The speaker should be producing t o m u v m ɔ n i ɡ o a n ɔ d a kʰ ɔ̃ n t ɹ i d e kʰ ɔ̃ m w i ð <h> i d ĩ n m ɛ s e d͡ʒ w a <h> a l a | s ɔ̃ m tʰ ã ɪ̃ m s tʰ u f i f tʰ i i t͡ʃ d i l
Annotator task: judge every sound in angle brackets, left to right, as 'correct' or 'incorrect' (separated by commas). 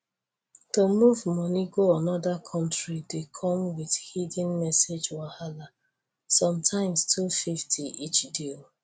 correct, correct